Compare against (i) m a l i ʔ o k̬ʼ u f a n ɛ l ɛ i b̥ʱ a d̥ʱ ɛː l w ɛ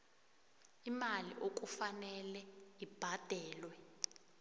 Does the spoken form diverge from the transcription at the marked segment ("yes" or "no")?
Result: no